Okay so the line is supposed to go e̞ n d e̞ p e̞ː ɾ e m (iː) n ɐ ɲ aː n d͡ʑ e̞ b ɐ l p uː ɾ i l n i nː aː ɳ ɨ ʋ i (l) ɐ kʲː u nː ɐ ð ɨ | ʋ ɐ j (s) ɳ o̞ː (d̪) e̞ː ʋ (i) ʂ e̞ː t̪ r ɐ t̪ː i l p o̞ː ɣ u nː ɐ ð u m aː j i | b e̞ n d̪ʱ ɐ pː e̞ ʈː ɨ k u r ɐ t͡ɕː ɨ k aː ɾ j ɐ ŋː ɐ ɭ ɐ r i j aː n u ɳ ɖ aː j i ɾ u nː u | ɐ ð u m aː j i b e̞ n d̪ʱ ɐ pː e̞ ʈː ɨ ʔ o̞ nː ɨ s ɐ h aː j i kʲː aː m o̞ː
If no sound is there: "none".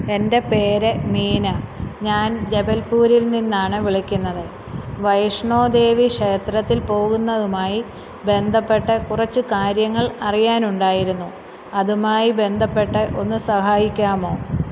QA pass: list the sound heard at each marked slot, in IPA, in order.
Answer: iː, ɭ, ʂ, d̪, i

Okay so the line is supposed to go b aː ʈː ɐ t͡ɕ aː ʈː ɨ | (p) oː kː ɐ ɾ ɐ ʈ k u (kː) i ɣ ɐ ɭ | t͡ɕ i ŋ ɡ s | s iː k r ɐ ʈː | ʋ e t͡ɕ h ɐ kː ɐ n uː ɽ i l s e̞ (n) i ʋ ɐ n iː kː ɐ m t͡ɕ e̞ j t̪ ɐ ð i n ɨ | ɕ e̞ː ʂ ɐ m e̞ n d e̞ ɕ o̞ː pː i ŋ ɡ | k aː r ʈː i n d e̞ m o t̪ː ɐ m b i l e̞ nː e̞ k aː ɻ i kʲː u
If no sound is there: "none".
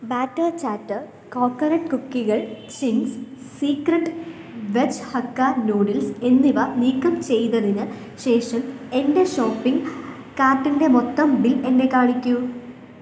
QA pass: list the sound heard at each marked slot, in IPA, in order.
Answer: k, kː, nː

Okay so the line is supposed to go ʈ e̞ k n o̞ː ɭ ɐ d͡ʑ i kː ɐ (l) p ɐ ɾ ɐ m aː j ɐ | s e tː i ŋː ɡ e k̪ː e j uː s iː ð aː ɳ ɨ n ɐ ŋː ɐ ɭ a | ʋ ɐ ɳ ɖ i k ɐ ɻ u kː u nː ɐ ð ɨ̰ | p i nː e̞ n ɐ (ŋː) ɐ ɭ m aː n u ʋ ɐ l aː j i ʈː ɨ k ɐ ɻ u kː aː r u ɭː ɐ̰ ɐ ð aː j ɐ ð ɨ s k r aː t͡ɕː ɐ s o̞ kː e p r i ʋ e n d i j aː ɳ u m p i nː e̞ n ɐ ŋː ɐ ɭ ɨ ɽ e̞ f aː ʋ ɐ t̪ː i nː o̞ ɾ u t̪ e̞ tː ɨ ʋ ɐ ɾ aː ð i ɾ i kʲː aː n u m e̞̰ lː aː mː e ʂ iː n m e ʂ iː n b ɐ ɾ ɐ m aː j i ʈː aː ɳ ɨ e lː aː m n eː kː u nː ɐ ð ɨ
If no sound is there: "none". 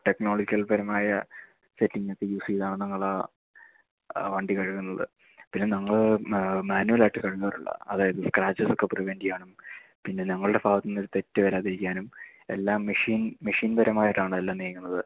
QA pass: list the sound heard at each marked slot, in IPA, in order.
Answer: l, ŋː

